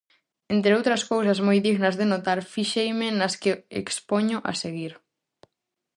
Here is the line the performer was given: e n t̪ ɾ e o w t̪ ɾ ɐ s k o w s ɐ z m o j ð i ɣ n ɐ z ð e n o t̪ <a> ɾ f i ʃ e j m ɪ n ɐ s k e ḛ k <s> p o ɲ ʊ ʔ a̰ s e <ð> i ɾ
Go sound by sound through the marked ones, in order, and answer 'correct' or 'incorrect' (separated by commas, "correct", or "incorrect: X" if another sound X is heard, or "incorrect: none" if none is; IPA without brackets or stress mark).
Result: correct, correct, incorrect: ɣ